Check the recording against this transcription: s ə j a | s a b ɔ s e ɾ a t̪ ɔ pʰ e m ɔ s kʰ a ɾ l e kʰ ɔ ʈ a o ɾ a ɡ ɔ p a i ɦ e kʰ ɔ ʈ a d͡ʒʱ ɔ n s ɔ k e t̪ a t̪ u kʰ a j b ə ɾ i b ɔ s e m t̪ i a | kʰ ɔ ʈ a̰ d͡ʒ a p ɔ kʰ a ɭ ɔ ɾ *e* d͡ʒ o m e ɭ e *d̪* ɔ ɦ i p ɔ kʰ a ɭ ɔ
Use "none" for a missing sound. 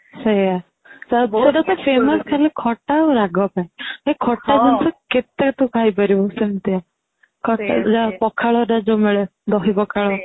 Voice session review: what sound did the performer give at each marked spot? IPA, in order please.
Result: a, d̪

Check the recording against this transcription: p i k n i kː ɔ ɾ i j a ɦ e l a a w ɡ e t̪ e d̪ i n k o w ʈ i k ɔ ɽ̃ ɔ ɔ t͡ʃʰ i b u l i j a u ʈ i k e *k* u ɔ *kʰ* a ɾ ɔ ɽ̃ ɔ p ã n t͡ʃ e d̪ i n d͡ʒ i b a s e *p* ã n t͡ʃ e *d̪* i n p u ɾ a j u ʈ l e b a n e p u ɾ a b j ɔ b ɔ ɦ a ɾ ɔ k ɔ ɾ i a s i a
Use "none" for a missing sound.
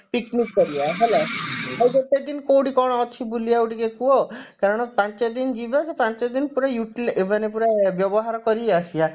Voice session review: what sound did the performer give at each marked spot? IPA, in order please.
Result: k, k, p, d̪

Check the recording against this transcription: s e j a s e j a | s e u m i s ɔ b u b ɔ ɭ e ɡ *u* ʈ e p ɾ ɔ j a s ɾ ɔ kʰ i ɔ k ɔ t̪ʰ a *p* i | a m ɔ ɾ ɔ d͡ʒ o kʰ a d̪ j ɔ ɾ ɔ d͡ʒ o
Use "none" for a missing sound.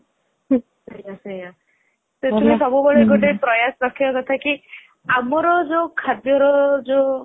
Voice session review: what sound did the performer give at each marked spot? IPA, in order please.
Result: o, k

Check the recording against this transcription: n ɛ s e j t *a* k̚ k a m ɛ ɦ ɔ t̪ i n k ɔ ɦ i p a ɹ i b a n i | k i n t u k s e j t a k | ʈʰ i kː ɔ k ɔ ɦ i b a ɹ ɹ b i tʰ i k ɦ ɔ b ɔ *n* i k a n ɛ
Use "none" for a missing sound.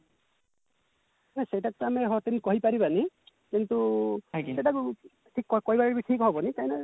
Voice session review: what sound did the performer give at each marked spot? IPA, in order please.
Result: a, n

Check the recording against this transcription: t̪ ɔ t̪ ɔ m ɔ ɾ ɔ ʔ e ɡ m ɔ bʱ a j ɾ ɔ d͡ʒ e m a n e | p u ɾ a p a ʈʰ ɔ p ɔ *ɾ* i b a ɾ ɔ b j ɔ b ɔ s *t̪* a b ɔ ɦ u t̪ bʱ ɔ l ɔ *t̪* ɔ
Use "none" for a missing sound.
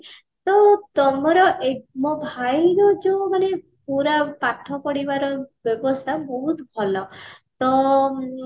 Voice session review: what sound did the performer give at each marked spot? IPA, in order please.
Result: ɽ, t̪ʰ, t̪

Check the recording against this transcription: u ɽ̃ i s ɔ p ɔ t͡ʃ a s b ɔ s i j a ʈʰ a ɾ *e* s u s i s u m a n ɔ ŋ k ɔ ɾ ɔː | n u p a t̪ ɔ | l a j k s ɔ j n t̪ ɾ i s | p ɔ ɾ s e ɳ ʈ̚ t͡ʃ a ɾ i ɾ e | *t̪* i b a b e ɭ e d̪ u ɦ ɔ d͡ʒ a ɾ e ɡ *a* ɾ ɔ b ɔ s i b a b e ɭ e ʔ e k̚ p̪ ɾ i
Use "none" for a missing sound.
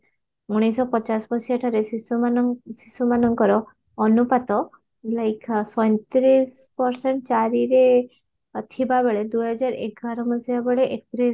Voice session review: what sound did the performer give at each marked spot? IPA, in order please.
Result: e, t̪ʰ, a

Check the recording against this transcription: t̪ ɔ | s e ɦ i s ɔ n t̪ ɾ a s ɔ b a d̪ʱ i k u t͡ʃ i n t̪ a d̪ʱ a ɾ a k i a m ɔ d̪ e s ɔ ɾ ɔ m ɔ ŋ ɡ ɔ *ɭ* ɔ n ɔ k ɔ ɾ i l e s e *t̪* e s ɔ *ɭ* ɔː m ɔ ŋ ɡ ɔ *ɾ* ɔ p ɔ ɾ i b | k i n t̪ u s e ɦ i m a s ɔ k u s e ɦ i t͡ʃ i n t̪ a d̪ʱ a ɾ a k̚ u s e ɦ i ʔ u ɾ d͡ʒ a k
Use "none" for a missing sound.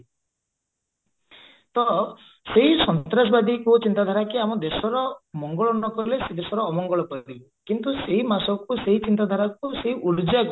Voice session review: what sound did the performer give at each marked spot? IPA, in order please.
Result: ɭ, d̪, ɾ, ɭ

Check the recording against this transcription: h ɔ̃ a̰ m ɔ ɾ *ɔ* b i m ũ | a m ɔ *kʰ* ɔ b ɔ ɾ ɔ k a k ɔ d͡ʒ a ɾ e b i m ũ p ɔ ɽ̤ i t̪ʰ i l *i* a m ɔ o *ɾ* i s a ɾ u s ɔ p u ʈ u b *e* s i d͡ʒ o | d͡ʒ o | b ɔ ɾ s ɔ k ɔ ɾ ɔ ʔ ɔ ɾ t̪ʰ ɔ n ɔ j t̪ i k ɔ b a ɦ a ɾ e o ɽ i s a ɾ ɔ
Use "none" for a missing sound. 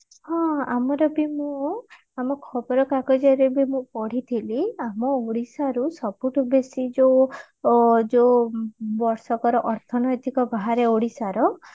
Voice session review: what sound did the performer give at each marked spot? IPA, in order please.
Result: ɔ, kʰ, i, ɽ, e

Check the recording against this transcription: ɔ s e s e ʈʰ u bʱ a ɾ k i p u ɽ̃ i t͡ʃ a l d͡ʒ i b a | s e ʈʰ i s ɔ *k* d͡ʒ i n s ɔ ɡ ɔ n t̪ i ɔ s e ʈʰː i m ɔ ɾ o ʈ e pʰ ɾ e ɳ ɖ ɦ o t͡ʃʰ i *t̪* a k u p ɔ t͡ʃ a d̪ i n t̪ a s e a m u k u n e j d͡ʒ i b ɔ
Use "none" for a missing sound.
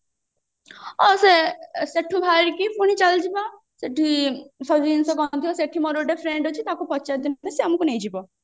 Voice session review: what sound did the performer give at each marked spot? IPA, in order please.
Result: none, t̪

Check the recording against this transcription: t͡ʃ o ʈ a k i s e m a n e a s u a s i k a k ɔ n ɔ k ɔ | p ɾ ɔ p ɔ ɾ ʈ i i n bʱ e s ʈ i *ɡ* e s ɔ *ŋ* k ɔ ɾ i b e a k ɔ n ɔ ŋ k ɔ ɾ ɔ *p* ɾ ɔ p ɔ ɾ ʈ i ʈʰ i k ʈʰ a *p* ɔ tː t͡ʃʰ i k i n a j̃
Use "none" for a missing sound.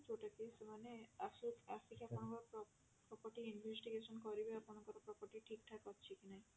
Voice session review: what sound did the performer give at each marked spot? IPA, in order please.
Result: ɡ, n, p, k

